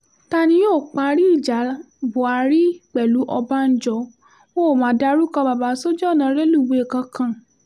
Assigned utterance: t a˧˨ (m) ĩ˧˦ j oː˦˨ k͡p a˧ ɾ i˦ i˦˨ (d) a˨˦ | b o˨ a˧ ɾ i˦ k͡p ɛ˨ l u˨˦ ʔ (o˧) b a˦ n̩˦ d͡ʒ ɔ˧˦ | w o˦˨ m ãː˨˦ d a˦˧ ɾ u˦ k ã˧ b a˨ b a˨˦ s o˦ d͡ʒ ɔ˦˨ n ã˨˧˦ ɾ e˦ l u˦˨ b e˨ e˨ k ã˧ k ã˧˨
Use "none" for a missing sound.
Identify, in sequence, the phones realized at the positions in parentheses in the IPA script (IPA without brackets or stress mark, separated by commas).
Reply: n, d͡ʒ, ɔ˧